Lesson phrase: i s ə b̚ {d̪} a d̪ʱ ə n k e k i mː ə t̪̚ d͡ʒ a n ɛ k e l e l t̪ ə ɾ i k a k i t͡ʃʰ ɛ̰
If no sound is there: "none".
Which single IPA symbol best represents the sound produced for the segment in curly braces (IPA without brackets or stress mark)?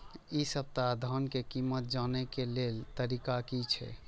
t̪